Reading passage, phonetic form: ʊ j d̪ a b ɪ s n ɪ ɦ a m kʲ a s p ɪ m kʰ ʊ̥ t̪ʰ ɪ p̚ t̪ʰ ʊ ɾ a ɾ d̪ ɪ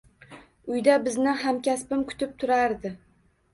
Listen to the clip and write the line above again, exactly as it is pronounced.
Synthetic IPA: ʊ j d̪ a b ɪ z n ɪ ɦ a m kʲ a s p ɪ m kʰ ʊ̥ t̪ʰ ɪ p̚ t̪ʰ ʊ ɾ a ɾ d̪ ɪ